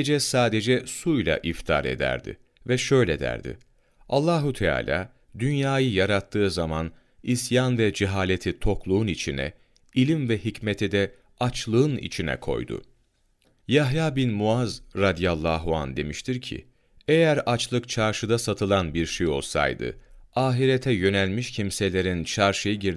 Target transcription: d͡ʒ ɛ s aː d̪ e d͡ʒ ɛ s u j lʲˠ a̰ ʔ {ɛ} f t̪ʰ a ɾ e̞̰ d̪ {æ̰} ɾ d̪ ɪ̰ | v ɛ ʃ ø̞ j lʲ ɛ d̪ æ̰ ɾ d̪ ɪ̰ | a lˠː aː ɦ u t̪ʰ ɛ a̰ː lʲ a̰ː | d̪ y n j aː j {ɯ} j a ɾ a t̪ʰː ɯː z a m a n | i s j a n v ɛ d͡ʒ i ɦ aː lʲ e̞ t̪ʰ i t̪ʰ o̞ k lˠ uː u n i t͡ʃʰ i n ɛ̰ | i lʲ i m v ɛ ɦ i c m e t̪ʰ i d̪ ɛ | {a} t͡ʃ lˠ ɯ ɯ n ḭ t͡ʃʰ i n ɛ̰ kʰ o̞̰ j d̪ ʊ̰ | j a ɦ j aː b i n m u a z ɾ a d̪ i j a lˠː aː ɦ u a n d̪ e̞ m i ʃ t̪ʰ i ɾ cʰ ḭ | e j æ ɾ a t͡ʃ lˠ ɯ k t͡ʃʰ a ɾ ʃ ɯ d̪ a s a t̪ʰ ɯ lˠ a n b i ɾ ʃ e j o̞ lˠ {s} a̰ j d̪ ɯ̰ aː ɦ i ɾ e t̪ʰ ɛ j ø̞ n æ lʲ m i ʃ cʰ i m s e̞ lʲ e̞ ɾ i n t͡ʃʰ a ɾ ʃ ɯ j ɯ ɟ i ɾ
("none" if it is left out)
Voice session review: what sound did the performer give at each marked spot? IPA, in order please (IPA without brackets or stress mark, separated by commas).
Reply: i, æ̰, ɯ, a, s